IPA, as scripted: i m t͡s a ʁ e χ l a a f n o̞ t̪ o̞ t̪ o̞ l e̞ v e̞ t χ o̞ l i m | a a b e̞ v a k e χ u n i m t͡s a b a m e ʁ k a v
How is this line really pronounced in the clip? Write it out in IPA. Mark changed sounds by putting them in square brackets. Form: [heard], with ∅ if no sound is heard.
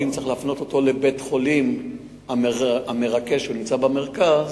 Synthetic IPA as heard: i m t͡s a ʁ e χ l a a f n o̞ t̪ o̞ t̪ o̞ l e̞ [b] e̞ t χ o̞ l i m | a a [m] e̞ [ʁ] a k e [ʃ] u n i m t͡s a b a m e ʁ k a [z]